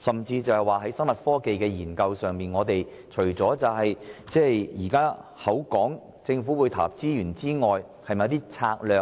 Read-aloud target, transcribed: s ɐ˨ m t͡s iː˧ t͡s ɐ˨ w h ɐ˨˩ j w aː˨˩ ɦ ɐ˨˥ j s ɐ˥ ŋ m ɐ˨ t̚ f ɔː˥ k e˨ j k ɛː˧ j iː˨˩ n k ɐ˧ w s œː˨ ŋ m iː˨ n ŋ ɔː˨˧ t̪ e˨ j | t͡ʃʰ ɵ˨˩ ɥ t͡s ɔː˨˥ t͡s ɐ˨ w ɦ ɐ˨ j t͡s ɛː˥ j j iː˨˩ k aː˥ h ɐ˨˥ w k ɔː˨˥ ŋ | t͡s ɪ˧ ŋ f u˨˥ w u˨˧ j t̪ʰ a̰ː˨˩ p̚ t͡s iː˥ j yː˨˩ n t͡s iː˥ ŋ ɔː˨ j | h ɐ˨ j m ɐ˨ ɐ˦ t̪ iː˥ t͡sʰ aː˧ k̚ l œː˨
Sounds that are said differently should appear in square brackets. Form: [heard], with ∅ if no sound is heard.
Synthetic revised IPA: s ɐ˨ m t͡s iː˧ t͡s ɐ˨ w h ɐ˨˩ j w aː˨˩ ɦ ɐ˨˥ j s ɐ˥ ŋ m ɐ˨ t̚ f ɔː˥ k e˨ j k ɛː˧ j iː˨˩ n k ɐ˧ w s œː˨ ŋ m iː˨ n ŋ ɔː˨˧ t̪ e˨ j | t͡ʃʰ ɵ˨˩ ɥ t͡s ɔː˨˥ t͡s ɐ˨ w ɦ ɐ˨ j t͡s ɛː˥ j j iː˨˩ k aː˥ h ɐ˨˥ w k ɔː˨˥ ŋ | t͡s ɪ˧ ŋ f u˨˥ w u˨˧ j t̪ʰ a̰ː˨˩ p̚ t͡s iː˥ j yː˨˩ n t͡s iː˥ ŋ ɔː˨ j | h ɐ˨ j m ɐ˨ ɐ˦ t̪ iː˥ t͡sʰ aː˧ k̚ l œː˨